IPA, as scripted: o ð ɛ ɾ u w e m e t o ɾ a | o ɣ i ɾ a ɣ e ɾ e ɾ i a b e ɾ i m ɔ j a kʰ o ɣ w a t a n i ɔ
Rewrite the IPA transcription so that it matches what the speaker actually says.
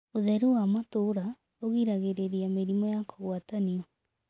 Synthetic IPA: o ð ɛ ɾ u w a m a t o ɾ a | o ɣ i ɾ a ɣ e ɾ e ɾ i a m e ɾ i m ɔ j a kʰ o ɣ w a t a n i ɔ